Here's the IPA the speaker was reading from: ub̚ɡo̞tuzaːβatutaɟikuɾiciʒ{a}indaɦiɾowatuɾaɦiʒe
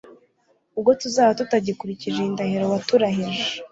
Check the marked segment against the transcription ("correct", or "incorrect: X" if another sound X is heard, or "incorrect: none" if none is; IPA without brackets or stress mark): incorrect: e